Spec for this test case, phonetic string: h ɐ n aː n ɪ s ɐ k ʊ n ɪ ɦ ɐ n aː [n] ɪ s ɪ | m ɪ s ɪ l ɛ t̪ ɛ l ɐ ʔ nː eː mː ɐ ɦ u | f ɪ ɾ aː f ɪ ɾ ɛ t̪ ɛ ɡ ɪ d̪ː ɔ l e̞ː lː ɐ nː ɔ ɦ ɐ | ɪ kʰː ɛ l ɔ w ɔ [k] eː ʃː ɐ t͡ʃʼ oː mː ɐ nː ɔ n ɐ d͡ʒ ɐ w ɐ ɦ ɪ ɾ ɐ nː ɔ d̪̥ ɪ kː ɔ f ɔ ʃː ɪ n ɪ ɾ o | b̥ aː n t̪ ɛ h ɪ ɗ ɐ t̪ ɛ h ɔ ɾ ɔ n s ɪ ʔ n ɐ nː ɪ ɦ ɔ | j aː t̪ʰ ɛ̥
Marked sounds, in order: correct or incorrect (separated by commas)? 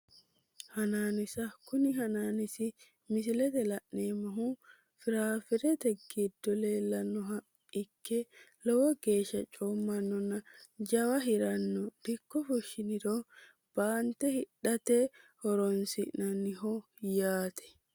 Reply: correct, incorrect